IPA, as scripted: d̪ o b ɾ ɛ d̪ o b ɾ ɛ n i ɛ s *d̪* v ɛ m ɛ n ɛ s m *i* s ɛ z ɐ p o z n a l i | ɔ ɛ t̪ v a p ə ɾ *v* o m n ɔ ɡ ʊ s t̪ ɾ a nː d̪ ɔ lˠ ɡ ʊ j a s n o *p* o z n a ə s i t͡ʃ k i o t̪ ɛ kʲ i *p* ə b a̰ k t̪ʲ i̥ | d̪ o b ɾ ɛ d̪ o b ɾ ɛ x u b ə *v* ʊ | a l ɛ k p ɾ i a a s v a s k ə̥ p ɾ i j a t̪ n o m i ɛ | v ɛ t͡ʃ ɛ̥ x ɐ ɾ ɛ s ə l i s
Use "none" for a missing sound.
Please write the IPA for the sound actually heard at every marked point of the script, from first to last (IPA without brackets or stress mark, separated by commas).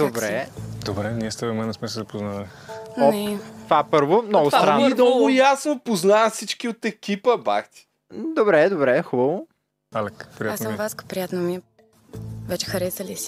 t̪, ɛ, v, p, p, v